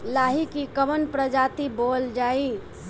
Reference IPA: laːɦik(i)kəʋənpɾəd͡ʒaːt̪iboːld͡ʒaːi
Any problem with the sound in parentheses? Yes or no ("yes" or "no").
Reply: no